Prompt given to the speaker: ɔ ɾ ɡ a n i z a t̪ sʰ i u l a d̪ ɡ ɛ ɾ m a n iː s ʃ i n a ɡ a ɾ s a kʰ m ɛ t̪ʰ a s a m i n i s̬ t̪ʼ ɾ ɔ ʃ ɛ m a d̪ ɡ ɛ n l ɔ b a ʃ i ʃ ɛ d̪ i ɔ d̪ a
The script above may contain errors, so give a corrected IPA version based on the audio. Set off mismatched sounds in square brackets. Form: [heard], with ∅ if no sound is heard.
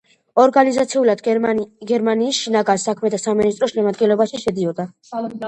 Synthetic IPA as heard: ɔ ɾ ɡ a n i z a t̪ sʰ i u l a d̪ ɡ ɛ ɾ m a n iː s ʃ i n a ɡ a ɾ s a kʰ m ɛ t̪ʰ a s a m i n i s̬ t̪ʼ ɾ ɔ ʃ ɛ m a d̪ ɡ ɛ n l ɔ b a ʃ i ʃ ɛ d̪ i ɔ d̪ a

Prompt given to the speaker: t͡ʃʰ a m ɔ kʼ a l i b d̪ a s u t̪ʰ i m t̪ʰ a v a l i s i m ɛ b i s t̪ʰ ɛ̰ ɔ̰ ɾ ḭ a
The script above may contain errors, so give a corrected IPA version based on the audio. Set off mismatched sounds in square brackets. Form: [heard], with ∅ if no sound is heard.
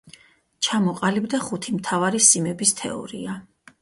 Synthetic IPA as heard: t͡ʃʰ a m ɔ [qʼ] a l i b d̪ a [χ] u t̪ʰ i m t̪ʰ a v a [ɾ] i s i m ɛ b i s t̪ʰ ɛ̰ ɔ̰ ɾ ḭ a

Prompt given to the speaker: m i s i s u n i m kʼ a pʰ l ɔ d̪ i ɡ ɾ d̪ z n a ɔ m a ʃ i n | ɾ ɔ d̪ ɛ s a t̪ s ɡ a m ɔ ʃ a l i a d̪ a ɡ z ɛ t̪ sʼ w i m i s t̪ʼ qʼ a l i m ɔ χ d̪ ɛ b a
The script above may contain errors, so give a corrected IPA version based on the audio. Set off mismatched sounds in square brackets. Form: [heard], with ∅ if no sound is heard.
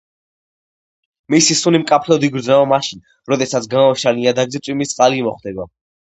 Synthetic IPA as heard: m i s i s u n i m kʼ a pʰ l ɔ d̪ i ɡ ɾ d̪ z n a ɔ m a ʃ i n | ɾ ɔ d̪ ɛ s a t̪ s ɡ a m ɔ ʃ a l i a d̪ a ɡ z ɛ t̪ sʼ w i m i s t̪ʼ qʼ a l i m ɔ χ d̪ ɛ b a

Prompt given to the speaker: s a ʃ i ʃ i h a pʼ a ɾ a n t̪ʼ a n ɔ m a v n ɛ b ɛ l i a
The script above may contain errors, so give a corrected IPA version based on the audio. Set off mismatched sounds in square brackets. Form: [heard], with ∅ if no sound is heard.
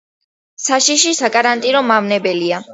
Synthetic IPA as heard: s a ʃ i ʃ i [s] a [kʼ] a ɾ a n t̪ʼ [i] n ɔ m a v n ɛ b ɛ l i a

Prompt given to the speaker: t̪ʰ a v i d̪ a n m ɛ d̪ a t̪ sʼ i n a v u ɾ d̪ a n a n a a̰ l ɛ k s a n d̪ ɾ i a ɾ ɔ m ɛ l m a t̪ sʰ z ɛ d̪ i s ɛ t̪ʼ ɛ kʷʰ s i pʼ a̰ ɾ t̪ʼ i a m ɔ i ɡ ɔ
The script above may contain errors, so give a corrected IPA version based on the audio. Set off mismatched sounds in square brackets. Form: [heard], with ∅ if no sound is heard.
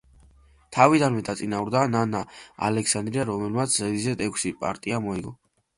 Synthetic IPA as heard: t̪ʰ a v i d̪ a n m ɛ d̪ a t̪ sʼ i n a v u ɾ d̪ a n a n a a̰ l ɛ k s a n d̪ ɾ i a ɾ ɔ m ɛ l m a t̪ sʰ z ɛ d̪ i [z] ɛ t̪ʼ ɛ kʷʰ s i pʼ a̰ ɾ t̪ʼ i a m ɔ i ɡ ɔ

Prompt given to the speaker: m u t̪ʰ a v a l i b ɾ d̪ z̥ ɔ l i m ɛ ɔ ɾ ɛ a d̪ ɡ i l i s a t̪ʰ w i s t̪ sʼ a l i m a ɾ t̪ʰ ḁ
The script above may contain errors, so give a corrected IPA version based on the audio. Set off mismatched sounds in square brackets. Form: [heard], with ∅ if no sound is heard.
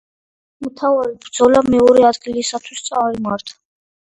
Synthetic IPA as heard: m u t̪ʰ a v a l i b ɾ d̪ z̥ ɔ l [a] m ɛ ɔ ɾ ɛ a d̪ ɡ i l i s a t̪ʰ w i s t̪ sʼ a [ɾ] i m a ɾ t̪ʰ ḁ

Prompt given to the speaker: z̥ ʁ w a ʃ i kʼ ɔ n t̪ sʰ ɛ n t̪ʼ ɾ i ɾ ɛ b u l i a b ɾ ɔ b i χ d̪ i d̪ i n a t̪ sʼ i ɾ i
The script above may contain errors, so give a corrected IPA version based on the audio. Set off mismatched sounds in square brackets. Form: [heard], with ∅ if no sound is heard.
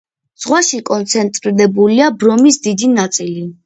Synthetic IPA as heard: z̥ ʁ w a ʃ i kʼ ɔ n t̪ sʰ ɛ n t̪ʼ ɾ i ɾ ɛ b u l i a b ɾ ɔ [m] i [s] d̪ i d̪ i n a t̪ sʼ i [l] i

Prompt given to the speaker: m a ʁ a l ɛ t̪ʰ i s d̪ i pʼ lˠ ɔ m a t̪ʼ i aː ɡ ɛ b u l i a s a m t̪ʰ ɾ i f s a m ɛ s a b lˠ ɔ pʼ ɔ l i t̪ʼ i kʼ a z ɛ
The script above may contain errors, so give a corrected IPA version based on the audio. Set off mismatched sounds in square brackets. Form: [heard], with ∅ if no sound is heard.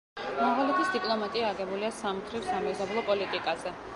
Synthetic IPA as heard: m a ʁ a l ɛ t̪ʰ i s d̪ i pʼ lˠ ɔ m a t̪ʼ i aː ɡ ɛ b u l i a s a m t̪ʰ ɾ i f s a m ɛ [z] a b lˠ ɔ pʼ ɔ l i t̪ʼ i kʼ a z ɛ

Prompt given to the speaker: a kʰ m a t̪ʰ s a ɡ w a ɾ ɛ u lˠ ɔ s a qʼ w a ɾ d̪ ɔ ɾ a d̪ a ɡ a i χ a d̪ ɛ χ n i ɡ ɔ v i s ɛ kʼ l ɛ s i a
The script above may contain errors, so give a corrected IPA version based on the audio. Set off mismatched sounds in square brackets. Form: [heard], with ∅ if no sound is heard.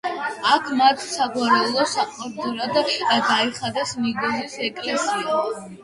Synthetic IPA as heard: a kʰ m a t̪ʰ s a ɡ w a ɾ ɛ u lˠ ɔ s a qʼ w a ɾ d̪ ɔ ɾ a d̪ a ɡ a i χ a d̪ ɛ [s] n i ɡ ɔ [z] i s ɛ kʼ l ɛ s i a

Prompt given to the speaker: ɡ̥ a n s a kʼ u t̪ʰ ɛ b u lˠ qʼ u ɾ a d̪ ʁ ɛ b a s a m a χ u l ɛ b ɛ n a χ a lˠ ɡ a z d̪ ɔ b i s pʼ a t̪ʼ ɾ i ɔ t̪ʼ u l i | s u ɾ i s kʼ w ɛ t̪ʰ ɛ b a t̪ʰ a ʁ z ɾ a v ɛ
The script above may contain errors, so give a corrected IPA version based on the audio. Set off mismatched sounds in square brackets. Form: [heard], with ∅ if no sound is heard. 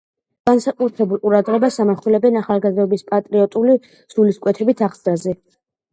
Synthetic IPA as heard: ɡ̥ a n s a kʼ u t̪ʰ ɛ b u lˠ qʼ u ɾ a d̪ ʁ ɛ b a s a m a χ u l ɛ b ɛ n a χ a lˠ ɡ a z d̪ ɔ b i s pʼ a t̪ʼ ɾ i ɔ t̪ʼ u l i | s u [l] i s kʼ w ɛ t̪ʰ ɛ b [i] t̪ʰ a ʁ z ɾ a [z] ɛ

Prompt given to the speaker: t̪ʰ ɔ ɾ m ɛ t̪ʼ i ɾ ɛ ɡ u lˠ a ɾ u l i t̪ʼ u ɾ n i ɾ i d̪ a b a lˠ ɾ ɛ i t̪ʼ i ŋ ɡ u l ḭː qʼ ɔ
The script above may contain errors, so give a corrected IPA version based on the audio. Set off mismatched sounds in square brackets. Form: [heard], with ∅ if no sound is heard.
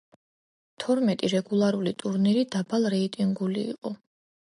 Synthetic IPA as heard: t̪ʰ ɔ ɾ m ɛ t̪ʼ i ɾ ɛ ɡ u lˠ a ɾ u l i t̪ʼ u ɾ n i ɾ i d̪ a b a lˠ ɾ ɛ i t̪ʼ i ŋ ɡ u l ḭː qʼ ɔ

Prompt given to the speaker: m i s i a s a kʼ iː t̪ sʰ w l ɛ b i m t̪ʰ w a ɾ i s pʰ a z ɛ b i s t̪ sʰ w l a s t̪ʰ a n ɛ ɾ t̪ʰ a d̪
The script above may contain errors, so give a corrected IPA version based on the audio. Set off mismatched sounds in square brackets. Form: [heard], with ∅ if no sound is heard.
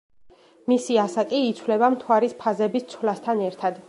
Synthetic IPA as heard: m i s i a s a kʼ iː t̪ sʰ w l ɛ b [a] m t̪ʰ w a ɾ i s pʰ a z ɛ b i s t̪ sʰ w l a s t̪ʰ a n ɛ ɾ t̪ʰ a d̪

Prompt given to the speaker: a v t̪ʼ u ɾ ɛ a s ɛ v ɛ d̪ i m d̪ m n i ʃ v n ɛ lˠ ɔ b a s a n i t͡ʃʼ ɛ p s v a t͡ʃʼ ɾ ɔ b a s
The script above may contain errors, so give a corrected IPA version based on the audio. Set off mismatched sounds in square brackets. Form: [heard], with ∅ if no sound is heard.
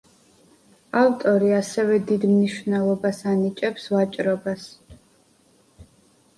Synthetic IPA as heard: a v t̪ʼ [ɔ] ɾ [i] a s ɛ v ɛ d̪ i [∅] d̪ m n i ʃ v n ɛ lˠ ɔ b a s a n i t͡ʃʼ ɛ p s v a t͡ʃʼ ɾ ɔ b a s

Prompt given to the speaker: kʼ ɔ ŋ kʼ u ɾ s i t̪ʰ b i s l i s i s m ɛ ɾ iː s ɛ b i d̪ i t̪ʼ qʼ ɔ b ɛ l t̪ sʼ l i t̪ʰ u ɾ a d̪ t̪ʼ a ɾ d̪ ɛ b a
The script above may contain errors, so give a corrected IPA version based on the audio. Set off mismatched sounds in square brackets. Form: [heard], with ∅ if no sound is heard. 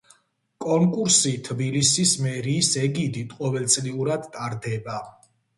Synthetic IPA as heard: kʼ ɔ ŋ kʼ u ɾ s i t̪ʰ b i [∅] l i s i s m ɛ ɾ iː s ɛ [ɡ] i d̪ i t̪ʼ qʼ ɔ [v] ɛ l t̪ sʼ l i [∅] u ɾ a d̪ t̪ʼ a ɾ d̪ ɛ b a

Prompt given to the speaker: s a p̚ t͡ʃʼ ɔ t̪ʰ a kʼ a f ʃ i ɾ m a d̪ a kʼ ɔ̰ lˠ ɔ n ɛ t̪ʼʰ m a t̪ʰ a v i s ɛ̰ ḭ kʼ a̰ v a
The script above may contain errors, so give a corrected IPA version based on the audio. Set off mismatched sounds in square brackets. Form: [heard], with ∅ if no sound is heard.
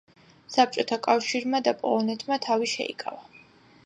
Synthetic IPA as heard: s a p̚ t͡ʃʼ ɔ t̪ʰ a kʼ a f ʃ i ɾ m a d̪ a [pʼ] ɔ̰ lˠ ɔ n ɛ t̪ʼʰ m a t̪ʰ a v i [ʃ] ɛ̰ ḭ kʼ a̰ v a

